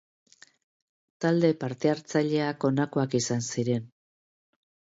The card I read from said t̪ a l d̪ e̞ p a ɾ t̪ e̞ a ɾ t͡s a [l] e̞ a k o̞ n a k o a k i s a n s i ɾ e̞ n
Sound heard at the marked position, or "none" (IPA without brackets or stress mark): ʎ